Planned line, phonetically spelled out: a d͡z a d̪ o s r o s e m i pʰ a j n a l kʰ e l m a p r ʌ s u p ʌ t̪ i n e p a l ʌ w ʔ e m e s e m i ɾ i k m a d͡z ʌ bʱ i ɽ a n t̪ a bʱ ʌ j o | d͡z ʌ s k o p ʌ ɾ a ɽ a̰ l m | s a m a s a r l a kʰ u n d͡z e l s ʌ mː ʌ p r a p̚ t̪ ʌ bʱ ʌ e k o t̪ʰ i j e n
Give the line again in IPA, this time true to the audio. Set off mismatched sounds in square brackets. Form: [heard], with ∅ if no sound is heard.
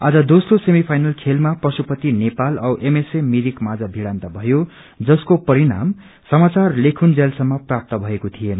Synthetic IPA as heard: a d͡z [ʌ] d̪ o s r o s e m i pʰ a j n [ʌ] l kʰ e l m a p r ʌ s u p ʌ t̪ i n e p a l ʌ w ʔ e m e s e m i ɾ i k m a d͡z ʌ bʱ i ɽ a n t̪ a bʱ ʌ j o | d͡z ʌ s k o p ʌ ɾ [i] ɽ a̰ [∅] m | s [ʌ] m a [t͡s] a r l [e] kʰ u n d͡z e l s ʌ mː ʌ p r a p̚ t̪ ʌ bʱ ʌ e k o t̪ʰ i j e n

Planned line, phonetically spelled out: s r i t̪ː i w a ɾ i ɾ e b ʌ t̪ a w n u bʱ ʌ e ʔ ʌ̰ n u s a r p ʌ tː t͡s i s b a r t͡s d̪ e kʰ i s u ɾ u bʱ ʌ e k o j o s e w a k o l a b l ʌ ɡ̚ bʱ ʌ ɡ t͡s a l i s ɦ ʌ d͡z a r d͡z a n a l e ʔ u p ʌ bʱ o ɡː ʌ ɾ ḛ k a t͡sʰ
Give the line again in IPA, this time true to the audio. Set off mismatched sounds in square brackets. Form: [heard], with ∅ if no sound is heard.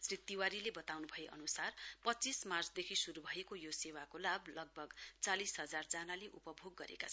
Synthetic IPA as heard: s r i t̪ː i w a ɾ i [l] e b ʌ t̪ a w n u bʱ ʌ e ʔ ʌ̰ n u s a r p ʌ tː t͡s i s [m] a r t͡s d̪ e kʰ i s u ɾ u bʱ ʌ e k o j o s e w a k o l a b l ʌ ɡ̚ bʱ ʌ ɡ t͡s a l i s ɦ ʌ d͡z a r d͡z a n a l e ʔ u p ʌ bʱ o ɡː ʌ ɾ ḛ k a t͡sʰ

